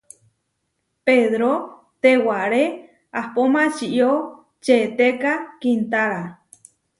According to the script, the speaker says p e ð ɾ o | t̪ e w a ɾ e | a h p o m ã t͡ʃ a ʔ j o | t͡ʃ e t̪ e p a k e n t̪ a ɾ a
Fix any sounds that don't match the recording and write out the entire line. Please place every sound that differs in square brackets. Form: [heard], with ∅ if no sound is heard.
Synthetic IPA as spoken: p e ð ɾ o | t̪ e w a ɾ e | a h p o m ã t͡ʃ [i] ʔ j o | t͡ʃ e t̪ e [k] a k [i] n t̪ a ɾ a